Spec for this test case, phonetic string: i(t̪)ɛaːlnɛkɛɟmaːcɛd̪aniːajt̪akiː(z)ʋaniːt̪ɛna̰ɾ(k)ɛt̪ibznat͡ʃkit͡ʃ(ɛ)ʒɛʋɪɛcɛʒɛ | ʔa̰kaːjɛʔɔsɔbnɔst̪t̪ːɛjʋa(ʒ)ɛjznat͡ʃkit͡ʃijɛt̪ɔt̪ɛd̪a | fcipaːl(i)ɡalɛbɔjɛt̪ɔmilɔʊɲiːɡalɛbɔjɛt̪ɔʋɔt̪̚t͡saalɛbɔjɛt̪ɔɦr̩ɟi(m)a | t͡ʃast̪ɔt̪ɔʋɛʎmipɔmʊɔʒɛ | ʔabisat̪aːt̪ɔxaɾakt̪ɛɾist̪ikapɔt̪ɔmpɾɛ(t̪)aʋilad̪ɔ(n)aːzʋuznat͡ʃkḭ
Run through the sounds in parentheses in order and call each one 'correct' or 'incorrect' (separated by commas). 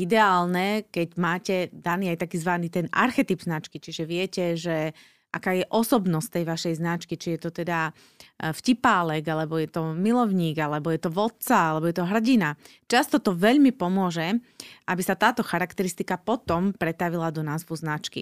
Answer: incorrect, correct, incorrect, incorrect, incorrect, incorrect, incorrect, correct, correct